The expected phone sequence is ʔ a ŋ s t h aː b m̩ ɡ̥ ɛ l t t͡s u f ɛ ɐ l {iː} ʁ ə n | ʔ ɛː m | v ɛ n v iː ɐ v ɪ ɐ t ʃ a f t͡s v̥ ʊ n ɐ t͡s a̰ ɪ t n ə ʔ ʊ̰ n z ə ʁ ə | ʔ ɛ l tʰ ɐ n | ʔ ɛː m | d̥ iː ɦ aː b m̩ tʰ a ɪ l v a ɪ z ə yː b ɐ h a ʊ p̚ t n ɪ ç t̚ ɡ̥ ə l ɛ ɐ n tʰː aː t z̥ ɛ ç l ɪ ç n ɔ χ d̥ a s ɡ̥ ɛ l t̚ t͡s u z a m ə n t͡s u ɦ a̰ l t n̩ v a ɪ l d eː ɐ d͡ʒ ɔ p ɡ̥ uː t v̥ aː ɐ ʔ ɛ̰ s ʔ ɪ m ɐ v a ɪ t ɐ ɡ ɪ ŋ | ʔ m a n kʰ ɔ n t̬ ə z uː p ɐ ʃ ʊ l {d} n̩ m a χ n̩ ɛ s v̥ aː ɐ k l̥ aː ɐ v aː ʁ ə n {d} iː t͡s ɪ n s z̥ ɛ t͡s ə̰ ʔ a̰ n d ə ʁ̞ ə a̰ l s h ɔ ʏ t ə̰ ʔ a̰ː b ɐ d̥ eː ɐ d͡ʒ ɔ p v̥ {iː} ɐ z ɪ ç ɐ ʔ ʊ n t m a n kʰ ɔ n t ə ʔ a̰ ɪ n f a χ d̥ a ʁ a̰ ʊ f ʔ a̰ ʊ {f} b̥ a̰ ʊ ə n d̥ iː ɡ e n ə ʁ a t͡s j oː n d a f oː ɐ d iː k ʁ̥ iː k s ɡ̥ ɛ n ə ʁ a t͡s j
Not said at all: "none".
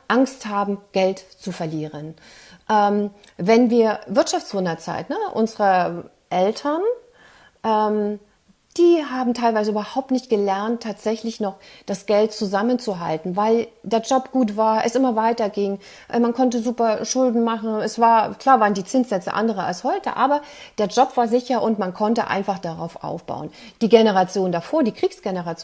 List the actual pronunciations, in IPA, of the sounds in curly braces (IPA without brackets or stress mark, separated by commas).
iː, d, d, aː, f